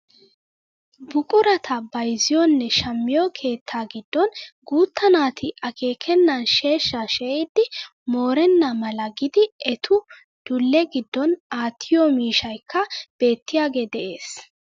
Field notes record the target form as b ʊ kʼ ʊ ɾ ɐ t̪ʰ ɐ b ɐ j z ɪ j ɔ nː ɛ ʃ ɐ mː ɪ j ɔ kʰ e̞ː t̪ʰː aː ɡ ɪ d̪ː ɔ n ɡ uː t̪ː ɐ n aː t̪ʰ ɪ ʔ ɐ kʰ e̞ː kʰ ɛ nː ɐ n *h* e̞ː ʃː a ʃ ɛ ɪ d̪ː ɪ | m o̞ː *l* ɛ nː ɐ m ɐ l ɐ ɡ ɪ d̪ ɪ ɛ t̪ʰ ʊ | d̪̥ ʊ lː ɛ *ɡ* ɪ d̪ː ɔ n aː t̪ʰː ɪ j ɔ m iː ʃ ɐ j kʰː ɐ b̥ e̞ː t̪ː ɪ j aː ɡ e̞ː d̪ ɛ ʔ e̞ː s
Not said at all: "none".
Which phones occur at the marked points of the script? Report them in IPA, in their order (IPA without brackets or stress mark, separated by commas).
ʃ, ɾ, ɡ